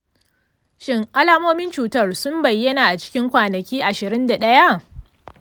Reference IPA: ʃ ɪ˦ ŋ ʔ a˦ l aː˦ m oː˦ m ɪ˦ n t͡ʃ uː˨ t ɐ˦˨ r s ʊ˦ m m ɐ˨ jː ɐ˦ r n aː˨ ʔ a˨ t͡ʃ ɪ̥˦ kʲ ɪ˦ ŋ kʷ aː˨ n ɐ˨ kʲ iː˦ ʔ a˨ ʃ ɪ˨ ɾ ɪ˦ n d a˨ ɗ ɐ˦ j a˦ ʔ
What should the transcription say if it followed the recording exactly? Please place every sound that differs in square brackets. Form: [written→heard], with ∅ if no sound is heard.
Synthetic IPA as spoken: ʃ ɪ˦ ŋ ʔ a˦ l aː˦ m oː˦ m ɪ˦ n t͡ʃ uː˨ t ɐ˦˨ r s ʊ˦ m [m→b] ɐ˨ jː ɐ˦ [r→∅] n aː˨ ʔ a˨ t͡ʃ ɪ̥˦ kʲ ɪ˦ ŋ kʷ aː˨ n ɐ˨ kʲ iː˦ ʔ a˨ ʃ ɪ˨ ɾ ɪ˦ n d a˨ ɗ ɐ˦ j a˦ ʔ